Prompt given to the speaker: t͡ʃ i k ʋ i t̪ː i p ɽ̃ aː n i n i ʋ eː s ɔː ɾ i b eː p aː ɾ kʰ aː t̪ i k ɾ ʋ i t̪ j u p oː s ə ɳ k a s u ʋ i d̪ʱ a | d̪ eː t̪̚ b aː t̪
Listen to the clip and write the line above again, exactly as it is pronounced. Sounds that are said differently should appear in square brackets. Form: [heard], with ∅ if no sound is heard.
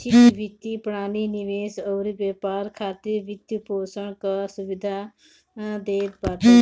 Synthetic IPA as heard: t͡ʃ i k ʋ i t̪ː i p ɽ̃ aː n i n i ʋ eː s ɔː ɾ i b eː p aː ɾ kʰ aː t̪ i [∅] ɾ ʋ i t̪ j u p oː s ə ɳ k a s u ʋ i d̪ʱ a | d̪ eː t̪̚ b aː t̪

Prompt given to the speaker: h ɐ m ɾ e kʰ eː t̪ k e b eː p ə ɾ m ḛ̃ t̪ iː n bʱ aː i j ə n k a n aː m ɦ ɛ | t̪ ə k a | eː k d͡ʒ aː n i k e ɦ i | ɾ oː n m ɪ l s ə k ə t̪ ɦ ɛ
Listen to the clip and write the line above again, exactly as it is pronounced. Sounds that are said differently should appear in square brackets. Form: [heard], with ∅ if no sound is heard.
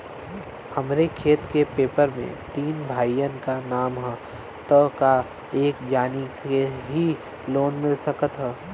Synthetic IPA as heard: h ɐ m ɾ e kʰ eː t̪ k e [p] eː p ə ɾ m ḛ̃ t̪ iː n bʱ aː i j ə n k a n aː m ɦ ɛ | t̪ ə k a | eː k d͡ʒ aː n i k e ɦ i | [l] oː n m ɪ l s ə k ə t̪ ɦ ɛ

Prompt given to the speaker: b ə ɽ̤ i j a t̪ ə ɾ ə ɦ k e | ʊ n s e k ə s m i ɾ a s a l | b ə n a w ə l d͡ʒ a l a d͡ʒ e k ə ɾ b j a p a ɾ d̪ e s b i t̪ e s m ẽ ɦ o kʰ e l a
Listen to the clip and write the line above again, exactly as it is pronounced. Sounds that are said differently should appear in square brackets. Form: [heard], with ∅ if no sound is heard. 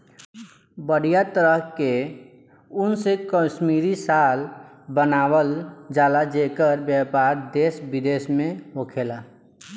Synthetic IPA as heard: b ə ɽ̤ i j a t̪ ə ɾ ə ɦ k e | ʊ n s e k ə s m i ɾ [i] s a l | b ə n a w ə l d͡ʒ a l a d͡ʒ e k ə ɾ b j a p a ɾ d̪ e s b i [d̪] e s m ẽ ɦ o kʰ e l a

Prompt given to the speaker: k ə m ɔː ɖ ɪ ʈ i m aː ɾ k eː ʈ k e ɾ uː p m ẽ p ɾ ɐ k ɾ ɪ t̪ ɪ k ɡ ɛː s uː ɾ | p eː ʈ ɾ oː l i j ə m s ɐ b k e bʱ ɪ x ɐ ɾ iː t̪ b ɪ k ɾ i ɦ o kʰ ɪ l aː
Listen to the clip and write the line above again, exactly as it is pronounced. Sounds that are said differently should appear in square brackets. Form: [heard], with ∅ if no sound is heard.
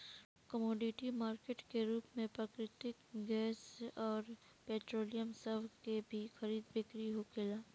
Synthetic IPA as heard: k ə m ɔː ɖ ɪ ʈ i m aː ɾ k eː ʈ k e ɾ uː p m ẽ p ɾ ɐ k ɾ ɪ t̪ ɪ k ɡ ɛː s [ɔː] ɾ | p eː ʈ ɾ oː l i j ə m s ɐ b k e bʱ [i] x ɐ ɾ iː [d̪] b ɪ k ɾ i ɦ o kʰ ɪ l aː

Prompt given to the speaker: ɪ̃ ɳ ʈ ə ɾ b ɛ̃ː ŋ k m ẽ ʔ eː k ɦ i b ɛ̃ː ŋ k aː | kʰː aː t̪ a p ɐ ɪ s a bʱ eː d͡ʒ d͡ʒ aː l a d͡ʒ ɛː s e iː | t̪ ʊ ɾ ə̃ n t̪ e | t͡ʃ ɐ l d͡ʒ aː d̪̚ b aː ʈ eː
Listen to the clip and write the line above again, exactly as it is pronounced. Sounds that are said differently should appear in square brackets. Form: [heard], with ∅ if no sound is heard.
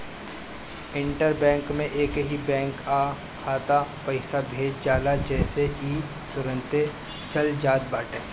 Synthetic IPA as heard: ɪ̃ ɳ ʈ ə ɾ b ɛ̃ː ŋ k m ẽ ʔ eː k ɦ i b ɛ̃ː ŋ k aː | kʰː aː t̪ a p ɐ ɪ s a bʱ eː d͡ʒ d͡ʒ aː l a d͡ʒ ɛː s e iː | t̪ ʊ ɾ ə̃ n t̪ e | t͡ʃ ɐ l d͡ʒ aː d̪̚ b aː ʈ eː

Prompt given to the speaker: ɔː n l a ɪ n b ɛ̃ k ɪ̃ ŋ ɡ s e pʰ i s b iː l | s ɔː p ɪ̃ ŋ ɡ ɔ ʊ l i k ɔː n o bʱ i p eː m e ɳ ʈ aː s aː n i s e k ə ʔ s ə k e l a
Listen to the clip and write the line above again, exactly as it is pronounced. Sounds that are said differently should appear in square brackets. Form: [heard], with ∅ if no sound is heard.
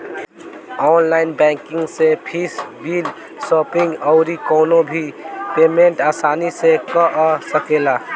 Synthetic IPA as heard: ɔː n l a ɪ n b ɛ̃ k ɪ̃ ŋ ɡ s e pʰ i s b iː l | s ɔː p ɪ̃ ŋ ɡ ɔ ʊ [ɾ] i k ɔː n o bʱ i p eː m e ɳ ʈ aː s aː n i s e k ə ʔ s ə k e l a

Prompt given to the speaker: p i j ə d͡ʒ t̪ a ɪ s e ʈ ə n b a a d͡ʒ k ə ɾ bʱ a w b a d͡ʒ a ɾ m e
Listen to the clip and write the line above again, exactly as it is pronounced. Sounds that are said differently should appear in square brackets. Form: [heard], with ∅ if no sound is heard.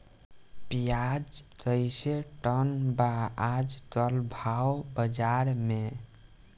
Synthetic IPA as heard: p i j [a] d͡ʒ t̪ [ə] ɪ s e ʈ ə n b a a d͡ʒ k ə [l] bʱ a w b [ə] d͡ʒ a ɾ m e

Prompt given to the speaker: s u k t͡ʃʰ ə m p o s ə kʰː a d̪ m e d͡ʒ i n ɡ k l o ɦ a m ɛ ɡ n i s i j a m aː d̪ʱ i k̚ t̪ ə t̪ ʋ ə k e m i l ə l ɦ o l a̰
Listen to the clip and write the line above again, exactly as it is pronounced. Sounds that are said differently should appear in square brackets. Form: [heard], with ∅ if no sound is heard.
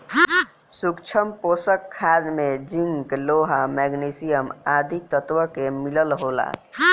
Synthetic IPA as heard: s u k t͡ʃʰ ə m p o s ə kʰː a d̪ m e d͡ʒ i [ŋ] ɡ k l o ɦ a m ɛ ɡ n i s i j [ə] m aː d̪ʱ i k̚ t̪ ə t̪ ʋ ə k e m i l ə l ɦ o l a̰

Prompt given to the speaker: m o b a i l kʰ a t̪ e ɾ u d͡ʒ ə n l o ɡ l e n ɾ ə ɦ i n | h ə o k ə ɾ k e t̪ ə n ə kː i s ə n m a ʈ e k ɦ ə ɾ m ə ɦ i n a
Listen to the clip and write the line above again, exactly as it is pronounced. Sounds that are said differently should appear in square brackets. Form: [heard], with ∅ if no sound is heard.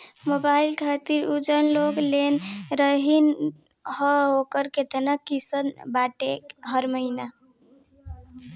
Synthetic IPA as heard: m o b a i l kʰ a t̪ [i] ɾ u d͡ʒ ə n l o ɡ l e n ɾ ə ɦ i n | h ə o k ə ɾ k e t̪ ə n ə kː i s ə n [b] a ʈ e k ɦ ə ɾ m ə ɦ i n a

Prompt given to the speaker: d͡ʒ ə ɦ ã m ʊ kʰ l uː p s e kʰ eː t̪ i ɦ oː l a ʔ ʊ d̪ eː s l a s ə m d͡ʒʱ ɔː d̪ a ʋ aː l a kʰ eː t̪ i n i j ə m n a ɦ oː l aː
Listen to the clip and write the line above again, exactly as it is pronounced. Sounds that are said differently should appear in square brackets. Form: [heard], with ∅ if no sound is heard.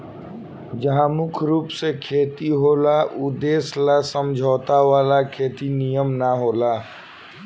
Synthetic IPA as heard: d͡ʒ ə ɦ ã m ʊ kʰ [ɾ] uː p s e kʰ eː t̪ i ɦ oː l a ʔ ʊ d̪ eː s l a s ə m d͡ʒʱ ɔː [t̪] a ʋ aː l a kʰ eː t̪ i n i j ə m n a ɦ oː l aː

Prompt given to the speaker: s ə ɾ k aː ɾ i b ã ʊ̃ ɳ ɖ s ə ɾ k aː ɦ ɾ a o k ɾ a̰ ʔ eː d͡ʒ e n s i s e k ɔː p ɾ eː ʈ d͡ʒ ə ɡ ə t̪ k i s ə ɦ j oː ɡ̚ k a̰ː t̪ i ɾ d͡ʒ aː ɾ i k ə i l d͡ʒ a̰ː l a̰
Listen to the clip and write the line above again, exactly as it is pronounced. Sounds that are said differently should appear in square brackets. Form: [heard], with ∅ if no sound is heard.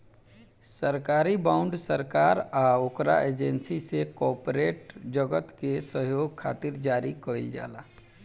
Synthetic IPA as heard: s ə ɾ k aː ɾ i b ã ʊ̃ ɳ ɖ s ə ɾ k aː [∅] ɾ a o k ɾ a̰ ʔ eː d͡ʒ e n s i s e k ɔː p ɾ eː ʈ d͡ʒ ə ɡ ə t̪ k [e] s ə ɦ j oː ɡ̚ [kʰ] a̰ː t̪ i ɾ d͡ʒ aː ɾ i k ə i l d͡ʒ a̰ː l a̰

